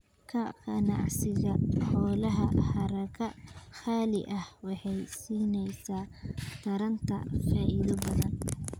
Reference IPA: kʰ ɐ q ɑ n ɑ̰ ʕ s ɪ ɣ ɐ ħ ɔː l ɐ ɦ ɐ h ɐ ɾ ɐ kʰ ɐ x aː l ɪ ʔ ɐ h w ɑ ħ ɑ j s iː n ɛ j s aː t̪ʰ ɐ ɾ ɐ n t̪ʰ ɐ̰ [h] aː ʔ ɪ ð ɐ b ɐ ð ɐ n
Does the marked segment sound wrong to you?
yes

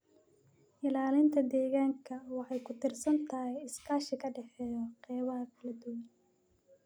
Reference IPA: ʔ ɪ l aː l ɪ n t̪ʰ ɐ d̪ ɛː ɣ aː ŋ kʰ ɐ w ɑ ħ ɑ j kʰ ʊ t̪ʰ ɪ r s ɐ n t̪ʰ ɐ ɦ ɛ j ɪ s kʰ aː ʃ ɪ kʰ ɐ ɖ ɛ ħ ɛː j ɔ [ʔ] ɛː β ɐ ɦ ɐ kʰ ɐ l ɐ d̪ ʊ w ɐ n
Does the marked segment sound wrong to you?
yes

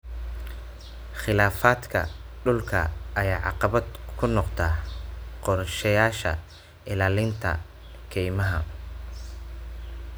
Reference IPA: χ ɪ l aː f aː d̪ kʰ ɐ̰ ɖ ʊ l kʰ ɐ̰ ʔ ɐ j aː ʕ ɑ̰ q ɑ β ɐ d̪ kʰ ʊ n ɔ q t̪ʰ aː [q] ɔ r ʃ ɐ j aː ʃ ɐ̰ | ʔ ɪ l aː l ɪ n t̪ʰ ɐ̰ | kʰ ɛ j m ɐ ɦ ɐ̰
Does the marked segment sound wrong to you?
no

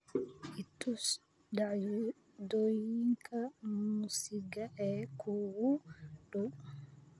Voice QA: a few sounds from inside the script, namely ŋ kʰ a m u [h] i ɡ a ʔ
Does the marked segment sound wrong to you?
yes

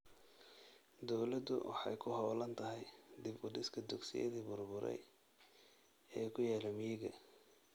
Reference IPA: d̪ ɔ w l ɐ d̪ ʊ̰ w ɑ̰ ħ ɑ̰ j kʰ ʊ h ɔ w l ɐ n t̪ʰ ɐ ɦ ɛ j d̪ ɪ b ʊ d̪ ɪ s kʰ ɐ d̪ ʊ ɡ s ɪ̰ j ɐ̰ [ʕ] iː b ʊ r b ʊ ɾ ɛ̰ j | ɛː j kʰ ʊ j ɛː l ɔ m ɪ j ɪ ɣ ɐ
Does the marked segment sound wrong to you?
yes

